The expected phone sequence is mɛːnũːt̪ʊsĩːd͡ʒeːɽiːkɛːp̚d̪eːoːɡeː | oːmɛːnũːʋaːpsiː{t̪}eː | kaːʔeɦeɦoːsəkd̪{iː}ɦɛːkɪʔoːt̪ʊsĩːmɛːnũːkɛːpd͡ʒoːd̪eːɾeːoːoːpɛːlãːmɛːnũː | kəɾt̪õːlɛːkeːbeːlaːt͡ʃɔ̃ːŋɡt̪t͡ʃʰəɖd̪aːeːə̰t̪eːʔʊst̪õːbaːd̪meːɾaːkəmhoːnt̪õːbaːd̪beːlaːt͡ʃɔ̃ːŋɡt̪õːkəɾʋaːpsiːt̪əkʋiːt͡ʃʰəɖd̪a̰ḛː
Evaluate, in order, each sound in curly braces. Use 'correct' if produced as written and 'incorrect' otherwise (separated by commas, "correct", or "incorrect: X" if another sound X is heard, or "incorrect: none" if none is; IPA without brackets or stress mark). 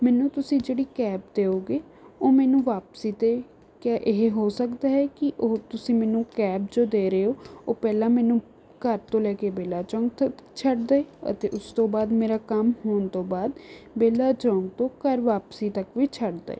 correct, incorrect: aː